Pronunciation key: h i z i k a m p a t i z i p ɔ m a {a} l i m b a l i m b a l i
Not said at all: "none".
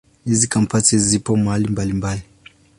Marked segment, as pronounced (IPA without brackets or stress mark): a